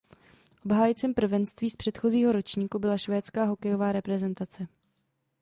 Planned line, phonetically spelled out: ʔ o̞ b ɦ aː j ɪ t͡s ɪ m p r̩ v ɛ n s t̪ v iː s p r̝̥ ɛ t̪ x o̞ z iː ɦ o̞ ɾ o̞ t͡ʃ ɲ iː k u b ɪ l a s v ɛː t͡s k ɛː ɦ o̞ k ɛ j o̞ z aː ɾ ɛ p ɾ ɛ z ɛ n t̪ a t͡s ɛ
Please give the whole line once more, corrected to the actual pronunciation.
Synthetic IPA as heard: ʔ o̞ b ɦ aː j ɪ t͡s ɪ m p r̩ v ɛ n s t̪ v iː s p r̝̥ ɛ t̪ x o̞ z iː ɦ o̞ ɾ o̞ t͡ʃ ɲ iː k u b ɪ l a ʃ v ɛː t͡s k aː ɦ o̞ k ɛ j o̞ v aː ɾ ɛ p ɾ ɛ z ɛ n t̪ a t͡s ɛ